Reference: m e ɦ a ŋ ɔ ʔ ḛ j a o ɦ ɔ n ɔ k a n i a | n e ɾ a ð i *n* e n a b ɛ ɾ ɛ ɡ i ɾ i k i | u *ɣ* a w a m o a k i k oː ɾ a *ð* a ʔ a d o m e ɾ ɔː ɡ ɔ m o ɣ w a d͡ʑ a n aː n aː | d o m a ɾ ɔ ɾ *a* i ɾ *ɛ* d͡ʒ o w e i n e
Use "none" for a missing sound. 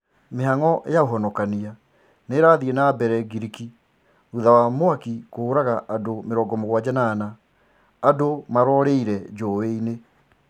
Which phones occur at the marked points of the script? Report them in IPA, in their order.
none, ð, ɣ, e, ɛ

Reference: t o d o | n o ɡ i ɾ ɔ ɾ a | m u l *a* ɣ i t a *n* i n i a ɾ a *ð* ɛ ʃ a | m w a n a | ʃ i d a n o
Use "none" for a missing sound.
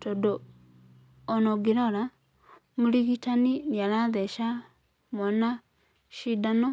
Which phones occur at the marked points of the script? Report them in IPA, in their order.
i, n, ð

